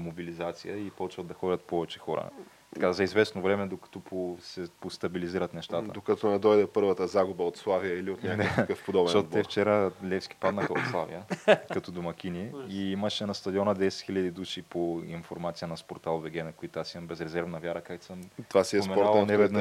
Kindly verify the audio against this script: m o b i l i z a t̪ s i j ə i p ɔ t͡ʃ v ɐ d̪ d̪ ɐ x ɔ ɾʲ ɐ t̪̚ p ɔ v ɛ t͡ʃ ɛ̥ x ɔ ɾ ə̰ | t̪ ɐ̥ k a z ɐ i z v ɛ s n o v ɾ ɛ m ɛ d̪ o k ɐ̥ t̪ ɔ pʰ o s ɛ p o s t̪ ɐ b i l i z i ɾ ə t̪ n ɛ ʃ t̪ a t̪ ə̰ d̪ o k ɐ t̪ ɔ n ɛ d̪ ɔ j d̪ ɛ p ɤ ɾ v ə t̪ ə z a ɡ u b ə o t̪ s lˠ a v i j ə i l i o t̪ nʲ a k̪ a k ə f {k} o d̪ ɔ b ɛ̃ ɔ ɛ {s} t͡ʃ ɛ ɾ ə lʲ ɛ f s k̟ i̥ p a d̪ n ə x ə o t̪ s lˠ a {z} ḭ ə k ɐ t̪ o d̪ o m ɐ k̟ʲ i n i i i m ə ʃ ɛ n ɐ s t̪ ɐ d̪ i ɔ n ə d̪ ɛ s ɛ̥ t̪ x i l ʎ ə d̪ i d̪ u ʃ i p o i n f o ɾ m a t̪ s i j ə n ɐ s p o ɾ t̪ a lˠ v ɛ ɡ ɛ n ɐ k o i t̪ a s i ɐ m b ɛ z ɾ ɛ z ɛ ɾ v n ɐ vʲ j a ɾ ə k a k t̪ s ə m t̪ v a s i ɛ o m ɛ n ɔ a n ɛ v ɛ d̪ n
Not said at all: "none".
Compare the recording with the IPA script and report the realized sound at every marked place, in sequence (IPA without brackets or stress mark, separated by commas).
p, f, v